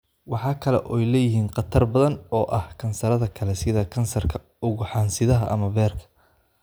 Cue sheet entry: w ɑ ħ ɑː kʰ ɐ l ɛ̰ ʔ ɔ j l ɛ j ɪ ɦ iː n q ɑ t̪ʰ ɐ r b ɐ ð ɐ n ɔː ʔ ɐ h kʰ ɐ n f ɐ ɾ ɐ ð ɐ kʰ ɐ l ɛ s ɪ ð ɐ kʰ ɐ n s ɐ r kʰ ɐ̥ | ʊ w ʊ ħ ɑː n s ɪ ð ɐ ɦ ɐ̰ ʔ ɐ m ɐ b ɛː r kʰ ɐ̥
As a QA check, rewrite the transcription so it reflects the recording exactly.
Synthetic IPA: w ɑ ħ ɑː kʰ ɐ l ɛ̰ ʔ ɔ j l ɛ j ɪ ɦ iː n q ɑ t̪ʰ ɐ r b ɐ ð ɐ n ɔː ʔ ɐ h kʰ ɐ n s ɐ ɾ ɐ ð ɐ kʰ ɐ l ɛ s ɪ ð ɐ kʰ ɐ n s ɐ r kʰ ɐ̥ | ʊ ɣ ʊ ħ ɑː n s ɪ ð ɐ ɦ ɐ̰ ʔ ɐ m ɐ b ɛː r kʰ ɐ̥